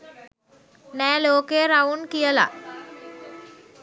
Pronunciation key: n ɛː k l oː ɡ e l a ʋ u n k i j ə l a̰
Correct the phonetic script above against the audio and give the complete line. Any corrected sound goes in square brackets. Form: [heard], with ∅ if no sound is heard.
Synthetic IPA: n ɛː [∅] l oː [k] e [ɾ] a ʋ u n k i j ə l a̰